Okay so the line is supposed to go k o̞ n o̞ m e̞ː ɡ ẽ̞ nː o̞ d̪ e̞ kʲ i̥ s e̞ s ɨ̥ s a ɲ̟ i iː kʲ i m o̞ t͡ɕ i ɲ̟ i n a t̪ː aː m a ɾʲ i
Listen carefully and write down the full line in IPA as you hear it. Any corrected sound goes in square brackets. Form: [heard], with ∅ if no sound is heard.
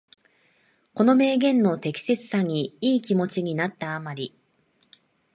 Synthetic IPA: k o̞ n o̞ m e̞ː ɡ ẽ̞ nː o̞ [t̪] e̞ kʲ i̥ s e̞ [t͡s] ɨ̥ s a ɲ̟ i iː kʲ i m o̞ t͡ɕ i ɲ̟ i n a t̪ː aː m a ɾʲ i